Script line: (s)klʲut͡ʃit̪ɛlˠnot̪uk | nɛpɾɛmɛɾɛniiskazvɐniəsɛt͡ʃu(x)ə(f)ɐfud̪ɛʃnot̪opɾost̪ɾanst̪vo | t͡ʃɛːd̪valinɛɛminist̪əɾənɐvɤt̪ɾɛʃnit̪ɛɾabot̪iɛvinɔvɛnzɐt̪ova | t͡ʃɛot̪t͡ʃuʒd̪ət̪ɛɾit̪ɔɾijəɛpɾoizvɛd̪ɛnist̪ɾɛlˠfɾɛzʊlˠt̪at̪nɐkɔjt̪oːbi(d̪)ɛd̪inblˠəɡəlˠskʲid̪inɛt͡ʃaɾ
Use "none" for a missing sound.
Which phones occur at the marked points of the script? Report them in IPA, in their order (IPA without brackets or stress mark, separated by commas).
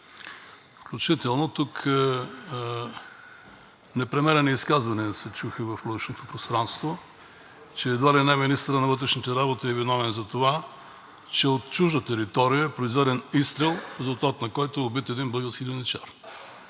f, x, v, t̪